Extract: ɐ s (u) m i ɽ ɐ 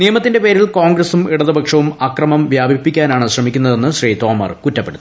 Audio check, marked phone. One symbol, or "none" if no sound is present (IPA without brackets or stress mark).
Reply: u